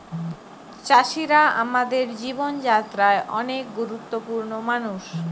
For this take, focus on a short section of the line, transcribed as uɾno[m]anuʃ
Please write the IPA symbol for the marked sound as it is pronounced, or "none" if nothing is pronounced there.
m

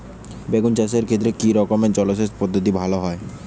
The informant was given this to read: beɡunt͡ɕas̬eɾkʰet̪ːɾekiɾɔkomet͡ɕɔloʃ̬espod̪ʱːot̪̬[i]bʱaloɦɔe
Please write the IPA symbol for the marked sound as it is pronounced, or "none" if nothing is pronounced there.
i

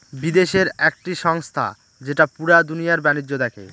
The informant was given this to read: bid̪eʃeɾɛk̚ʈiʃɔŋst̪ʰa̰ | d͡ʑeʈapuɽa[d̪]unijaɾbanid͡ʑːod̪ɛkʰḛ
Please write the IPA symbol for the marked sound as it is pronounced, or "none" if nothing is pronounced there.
d̪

